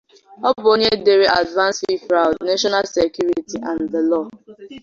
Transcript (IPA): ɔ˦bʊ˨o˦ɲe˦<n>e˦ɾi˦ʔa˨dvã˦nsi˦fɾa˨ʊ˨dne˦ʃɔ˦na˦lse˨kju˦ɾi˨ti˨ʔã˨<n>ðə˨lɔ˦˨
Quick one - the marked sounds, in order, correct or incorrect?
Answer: incorrect, correct

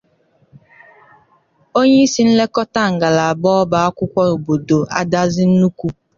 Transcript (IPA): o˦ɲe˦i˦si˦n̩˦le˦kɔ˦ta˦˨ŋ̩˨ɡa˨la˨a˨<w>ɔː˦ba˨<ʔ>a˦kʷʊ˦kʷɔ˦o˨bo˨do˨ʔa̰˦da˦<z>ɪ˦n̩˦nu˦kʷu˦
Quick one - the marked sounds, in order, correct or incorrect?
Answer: incorrect, incorrect, correct

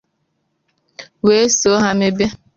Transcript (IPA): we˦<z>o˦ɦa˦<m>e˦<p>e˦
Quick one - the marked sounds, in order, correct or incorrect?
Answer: incorrect, correct, incorrect

